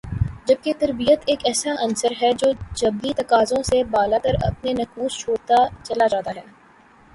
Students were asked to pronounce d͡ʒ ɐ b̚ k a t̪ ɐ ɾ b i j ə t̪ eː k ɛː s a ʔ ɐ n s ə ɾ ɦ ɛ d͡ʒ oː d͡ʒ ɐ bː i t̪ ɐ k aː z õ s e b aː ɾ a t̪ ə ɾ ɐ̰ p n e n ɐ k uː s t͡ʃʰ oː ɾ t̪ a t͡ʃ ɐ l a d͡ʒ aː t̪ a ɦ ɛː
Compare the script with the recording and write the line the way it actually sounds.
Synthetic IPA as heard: d͡ʒ ɐ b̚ k e t̪ ɐ ɾ b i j ə t̪ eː k ɛː s a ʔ ɐ n s ə ɾ ɦ ɛ d͡ʒ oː d͡ʒ ɐ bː i t̪ ɐ k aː z õ s e b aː l a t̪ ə ɾ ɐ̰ p n e n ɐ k uː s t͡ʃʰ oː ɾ t̪ a t͡ʃ ɐ l a d͡ʒ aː t̪ a ɦ ɛː